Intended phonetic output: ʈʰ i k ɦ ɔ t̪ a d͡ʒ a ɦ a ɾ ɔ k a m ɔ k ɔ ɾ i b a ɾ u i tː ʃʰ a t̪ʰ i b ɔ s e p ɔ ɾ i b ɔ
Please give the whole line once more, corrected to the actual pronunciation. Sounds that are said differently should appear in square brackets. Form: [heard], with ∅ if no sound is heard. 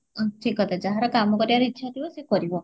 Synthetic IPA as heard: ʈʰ i k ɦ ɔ t̪ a d͡ʒ a ɦ a ɾ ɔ k a m ɔ k ɔ ɾ i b a ɾ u i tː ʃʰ a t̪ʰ i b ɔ s e [k] ɔ ɾ i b ɔ

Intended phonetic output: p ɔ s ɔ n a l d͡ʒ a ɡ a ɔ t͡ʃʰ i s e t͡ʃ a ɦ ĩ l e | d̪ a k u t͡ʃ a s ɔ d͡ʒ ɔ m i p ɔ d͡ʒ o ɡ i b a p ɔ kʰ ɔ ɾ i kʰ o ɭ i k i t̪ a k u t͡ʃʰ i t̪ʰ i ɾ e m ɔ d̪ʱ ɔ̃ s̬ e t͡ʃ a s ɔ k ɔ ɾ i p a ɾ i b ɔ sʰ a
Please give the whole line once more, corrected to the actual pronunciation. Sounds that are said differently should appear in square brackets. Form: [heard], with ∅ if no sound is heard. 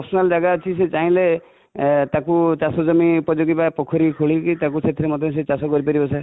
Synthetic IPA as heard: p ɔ s ɔ n a l d͡ʒ a ɡ a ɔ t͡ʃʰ i s e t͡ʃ a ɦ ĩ l e | [t̪] a k u t͡ʃ a s ɔ d͡ʒ ɔ m i p ɔ d͡ʒ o ɡ i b a p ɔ kʰ ɔ ɾ i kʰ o ɭ i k i t̪ a k u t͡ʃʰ [e] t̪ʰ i ɾ e m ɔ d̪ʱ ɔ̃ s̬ e t͡ʃ a s ɔ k ɔ ɾ i p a ɾ i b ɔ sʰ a

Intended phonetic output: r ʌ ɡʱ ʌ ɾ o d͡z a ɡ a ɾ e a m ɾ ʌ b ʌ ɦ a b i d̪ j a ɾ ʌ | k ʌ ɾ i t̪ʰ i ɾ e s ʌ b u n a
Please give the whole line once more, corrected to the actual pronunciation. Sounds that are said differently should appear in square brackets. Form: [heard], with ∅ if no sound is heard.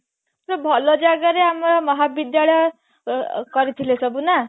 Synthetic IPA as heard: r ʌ [bʱ] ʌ [l] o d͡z a ɡ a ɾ e a m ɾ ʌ [m] ʌ ɦ a b i d̪ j a [ɭ] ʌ | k ʌ ɾ i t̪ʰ i [l] e s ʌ b u n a

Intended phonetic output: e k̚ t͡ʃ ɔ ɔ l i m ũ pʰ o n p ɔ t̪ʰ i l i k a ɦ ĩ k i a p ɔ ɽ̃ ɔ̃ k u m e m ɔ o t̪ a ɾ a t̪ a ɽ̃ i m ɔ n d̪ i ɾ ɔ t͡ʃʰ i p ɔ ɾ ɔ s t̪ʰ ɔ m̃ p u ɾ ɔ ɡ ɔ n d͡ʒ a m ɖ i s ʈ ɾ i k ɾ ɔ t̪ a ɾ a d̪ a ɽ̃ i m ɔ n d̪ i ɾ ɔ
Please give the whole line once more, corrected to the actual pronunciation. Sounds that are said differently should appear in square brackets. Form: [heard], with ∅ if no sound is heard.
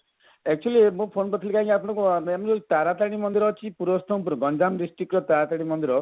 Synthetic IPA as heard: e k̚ t͡ʃ [u] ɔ l i m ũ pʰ o n p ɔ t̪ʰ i l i k a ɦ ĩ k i a p ɔ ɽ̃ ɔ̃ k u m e m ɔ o t̪ a ɾ a t̪ a ɽ̃ i m ɔ n d̪ i ɾ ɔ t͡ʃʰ i p [u] ɾ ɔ s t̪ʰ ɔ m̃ p u ɾ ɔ ɡ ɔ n d͡ʒ a m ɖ i s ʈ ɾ i k ɾ ɔ t̪ a ɾ a [t̪] a ɽ̃ i m ɔ n d̪ i ɾ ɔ

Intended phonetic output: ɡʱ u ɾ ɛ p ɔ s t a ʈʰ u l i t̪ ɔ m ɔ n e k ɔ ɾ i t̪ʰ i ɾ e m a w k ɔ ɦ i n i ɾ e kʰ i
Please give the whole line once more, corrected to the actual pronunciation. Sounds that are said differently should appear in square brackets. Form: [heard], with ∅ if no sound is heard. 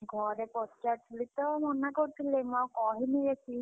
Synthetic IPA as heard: ɡʱ [ɔ] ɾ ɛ p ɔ s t a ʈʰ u l i t̪ ɔ m ɔ n [a] k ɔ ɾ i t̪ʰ i [l] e m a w k ɔ ɦ i n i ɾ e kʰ i

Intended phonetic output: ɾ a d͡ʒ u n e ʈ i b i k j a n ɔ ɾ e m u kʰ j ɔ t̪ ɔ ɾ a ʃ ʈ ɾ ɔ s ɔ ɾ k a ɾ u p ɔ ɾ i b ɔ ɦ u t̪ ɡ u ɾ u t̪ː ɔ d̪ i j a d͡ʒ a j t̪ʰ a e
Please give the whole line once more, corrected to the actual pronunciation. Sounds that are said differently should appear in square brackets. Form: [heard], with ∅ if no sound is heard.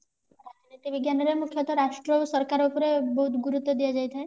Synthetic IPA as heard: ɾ a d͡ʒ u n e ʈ i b i [ɡ] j a n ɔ ɾ e m u kʰ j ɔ t̪ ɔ ɾ a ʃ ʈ ɾ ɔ s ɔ ɾ k a ɾ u p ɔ ɾ [e] b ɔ ɦ u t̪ ɡ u ɾ u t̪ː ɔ d̪ i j a d͡ʒ a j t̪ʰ a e

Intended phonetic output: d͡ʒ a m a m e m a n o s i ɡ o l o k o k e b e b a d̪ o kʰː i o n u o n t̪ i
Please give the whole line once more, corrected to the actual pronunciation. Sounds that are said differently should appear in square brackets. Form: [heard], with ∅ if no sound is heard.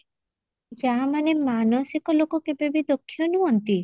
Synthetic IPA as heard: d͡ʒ a m a [n] e m a n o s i [k] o l o k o k e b e b [i] d̪ o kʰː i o n u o n t̪ i

